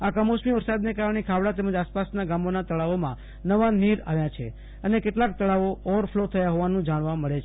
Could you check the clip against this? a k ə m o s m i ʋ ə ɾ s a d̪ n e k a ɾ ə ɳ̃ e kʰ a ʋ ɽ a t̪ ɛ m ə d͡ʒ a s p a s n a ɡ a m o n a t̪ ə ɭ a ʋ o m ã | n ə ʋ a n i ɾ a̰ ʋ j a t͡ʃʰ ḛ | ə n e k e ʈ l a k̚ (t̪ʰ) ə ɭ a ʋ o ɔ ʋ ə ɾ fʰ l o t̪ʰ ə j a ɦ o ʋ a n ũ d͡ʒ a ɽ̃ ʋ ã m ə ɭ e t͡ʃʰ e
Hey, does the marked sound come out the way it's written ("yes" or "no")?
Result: no